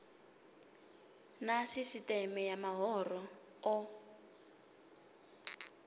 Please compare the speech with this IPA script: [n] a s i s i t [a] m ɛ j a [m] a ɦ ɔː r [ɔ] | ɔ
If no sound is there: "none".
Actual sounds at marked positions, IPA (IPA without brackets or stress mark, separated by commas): n, ɛ, m, ɔ